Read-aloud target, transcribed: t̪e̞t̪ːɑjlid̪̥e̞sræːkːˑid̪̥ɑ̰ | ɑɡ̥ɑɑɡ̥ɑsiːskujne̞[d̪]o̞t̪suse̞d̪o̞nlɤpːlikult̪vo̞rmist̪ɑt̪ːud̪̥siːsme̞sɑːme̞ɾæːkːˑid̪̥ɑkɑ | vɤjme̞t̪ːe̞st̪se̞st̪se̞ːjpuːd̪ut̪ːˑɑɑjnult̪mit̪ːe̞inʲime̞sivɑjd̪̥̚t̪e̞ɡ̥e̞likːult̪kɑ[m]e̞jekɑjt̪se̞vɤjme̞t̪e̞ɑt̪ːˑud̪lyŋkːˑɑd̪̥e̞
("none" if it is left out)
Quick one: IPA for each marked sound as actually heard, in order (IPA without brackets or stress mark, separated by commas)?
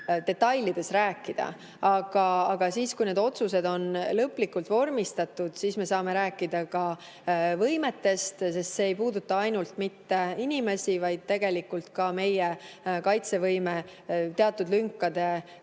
d̪, m